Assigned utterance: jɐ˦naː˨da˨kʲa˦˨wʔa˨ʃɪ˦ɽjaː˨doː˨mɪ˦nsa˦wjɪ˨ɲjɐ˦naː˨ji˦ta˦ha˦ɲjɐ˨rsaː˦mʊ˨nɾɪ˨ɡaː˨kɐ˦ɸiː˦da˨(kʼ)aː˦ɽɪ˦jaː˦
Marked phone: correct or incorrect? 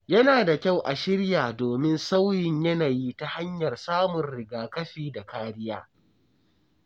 incorrect